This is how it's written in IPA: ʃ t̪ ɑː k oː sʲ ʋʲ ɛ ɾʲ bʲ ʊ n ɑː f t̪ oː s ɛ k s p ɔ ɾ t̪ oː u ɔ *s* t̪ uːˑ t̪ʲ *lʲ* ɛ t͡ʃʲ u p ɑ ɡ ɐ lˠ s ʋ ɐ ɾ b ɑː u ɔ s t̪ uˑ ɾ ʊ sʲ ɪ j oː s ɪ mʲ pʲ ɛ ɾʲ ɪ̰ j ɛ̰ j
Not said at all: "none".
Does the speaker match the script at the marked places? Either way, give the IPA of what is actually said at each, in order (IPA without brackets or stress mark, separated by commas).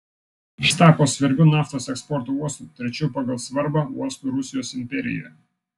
s, ɾʲ